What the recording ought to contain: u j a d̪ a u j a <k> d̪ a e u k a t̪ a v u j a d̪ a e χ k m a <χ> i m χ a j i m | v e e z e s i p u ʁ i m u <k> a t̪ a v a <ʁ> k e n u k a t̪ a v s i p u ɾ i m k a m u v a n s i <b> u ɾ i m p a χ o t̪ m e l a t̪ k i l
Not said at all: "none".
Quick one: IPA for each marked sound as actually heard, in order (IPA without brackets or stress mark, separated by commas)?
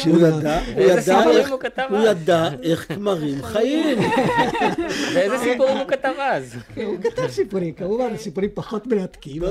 none, ʁ, k, z, p